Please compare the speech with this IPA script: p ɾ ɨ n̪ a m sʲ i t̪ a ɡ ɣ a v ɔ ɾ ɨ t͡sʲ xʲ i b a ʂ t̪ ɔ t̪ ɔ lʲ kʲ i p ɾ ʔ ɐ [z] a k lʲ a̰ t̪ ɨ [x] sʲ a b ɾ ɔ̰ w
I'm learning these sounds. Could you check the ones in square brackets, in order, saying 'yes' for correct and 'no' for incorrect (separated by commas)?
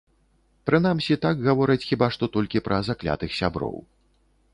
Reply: yes, yes